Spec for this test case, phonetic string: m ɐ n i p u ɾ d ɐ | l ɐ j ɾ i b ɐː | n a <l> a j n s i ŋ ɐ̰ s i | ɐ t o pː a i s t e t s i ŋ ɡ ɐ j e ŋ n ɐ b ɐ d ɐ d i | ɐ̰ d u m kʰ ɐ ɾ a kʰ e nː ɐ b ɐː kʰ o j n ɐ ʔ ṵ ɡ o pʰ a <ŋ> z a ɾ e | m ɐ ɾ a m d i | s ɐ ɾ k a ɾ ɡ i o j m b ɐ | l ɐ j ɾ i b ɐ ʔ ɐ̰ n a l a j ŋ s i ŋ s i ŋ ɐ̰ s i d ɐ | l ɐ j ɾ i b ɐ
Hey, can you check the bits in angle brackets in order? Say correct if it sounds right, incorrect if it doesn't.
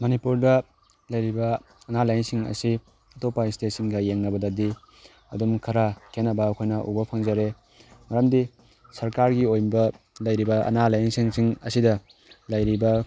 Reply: correct, correct

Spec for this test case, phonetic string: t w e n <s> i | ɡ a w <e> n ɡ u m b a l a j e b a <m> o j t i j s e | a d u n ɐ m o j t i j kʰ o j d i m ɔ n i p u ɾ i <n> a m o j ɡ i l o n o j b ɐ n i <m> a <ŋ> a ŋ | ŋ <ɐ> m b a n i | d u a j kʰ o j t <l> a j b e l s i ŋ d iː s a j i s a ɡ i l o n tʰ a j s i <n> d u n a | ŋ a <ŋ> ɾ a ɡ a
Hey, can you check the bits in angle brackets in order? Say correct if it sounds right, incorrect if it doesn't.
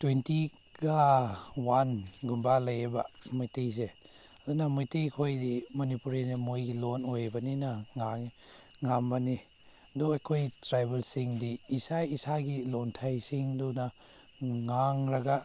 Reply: incorrect: t, incorrect: a, correct, correct, incorrect: n, correct, incorrect: a, incorrect: ɾ, incorrect: ŋ, correct

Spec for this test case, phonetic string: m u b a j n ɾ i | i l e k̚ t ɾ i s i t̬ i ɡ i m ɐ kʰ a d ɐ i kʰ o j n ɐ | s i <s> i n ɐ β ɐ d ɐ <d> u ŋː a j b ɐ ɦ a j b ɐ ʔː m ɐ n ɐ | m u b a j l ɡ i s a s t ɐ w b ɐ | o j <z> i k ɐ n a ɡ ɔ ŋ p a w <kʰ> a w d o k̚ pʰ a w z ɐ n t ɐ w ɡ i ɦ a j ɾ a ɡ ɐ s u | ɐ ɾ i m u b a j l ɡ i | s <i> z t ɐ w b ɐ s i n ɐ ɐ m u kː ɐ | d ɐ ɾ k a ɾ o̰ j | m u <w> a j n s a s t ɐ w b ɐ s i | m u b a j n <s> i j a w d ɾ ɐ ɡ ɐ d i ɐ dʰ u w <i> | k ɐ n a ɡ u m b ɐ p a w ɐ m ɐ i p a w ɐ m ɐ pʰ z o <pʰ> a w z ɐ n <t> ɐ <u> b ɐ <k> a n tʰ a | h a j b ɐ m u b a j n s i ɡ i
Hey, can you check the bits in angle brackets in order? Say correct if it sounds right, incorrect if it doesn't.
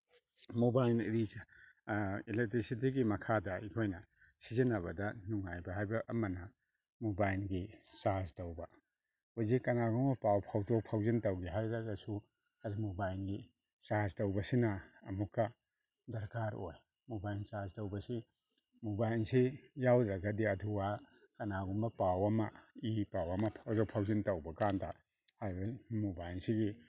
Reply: incorrect: z, incorrect: n, correct, incorrect: pʰ, incorrect: a, incorrect: b, correct, incorrect: a, correct, correct, incorrect: w, correct

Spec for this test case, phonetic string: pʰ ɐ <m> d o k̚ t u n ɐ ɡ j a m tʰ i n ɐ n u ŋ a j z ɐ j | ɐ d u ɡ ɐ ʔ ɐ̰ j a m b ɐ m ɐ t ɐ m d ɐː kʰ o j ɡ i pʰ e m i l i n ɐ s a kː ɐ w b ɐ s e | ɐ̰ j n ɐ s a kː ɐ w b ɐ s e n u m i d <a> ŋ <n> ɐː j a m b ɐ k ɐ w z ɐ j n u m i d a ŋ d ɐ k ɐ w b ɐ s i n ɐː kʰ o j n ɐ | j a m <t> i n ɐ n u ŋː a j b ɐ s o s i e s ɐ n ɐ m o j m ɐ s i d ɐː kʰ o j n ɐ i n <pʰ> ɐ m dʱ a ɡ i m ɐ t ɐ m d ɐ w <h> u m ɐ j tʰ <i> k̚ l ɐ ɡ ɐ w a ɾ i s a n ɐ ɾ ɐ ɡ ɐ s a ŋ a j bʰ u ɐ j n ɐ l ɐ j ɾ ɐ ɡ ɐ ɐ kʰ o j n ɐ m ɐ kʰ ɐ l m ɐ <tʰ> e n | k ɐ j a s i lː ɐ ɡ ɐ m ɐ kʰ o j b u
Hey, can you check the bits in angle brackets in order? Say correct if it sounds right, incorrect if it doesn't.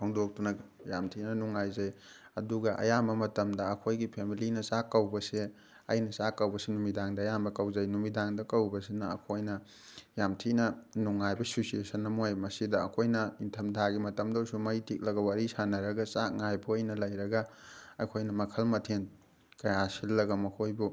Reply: incorrect: ŋ, correct, incorrect: d, incorrect: tʰ, incorrect: tʰ, incorrect: s, correct, correct

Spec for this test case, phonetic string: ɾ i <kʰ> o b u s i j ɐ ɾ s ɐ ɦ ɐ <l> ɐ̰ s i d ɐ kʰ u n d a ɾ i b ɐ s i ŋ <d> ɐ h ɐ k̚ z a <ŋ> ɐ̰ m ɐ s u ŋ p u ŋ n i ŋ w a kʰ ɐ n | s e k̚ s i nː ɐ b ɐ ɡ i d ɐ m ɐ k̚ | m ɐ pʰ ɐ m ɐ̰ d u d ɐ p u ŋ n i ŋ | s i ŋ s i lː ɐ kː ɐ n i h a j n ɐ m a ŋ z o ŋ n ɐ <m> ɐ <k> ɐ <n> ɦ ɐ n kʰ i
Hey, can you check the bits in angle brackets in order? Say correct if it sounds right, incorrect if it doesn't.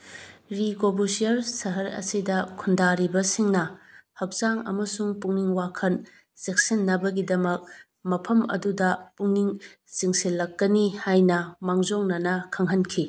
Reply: incorrect: k, incorrect: ɾ, incorrect: n, correct, incorrect: n, incorrect: kʰ, incorrect: ŋ

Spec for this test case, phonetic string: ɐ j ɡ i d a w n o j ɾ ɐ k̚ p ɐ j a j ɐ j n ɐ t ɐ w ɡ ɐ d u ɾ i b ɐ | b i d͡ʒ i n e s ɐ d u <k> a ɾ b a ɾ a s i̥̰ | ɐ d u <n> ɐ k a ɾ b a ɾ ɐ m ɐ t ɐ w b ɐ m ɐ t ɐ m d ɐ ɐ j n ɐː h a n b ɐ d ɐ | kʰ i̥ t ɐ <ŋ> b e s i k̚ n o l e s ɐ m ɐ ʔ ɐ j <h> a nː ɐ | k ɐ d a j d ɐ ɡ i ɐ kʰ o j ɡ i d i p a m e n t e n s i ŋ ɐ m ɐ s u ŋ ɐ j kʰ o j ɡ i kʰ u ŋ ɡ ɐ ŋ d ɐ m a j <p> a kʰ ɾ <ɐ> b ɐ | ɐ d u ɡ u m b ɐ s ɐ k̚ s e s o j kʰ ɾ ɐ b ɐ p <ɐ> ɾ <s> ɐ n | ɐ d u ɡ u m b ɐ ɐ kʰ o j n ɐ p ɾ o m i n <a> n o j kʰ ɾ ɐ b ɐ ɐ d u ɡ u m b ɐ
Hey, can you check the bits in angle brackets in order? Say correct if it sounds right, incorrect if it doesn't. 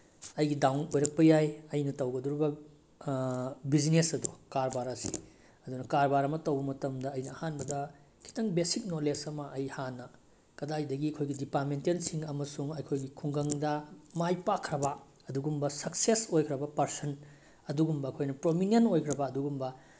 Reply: correct, correct, correct, correct, correct, correct, correct, correct, incorrect: e

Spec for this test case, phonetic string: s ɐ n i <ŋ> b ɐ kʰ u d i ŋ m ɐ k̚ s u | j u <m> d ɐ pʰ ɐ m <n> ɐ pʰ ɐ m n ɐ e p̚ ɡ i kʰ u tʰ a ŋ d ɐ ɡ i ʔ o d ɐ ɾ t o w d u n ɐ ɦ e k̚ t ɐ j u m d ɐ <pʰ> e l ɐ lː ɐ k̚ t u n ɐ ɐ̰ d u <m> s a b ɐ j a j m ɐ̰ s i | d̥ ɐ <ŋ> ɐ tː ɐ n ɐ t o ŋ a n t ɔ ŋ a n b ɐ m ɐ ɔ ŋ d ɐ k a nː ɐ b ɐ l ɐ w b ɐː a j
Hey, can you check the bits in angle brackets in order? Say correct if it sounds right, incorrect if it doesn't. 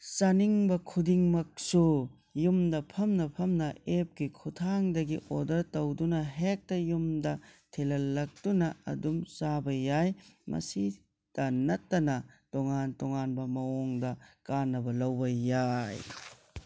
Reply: correct, correct, correct, incorrect: tʰ, correct, incorrect: n

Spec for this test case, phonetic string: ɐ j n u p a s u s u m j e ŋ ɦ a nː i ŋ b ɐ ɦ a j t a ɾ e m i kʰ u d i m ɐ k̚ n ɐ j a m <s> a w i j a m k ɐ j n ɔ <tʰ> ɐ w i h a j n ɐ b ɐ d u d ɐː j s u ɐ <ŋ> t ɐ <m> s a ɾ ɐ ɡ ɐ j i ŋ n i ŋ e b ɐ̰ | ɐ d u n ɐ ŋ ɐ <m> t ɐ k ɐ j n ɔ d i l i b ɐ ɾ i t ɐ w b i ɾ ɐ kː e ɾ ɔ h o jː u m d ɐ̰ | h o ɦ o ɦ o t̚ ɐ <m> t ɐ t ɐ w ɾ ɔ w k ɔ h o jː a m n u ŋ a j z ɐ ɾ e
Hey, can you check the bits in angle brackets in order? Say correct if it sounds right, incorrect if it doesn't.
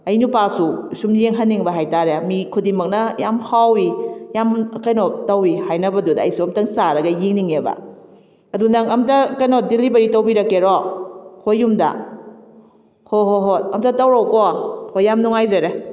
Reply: incorrect: h, incorrect: t, incorrect: m, incorrect: ŋ, correct, correct

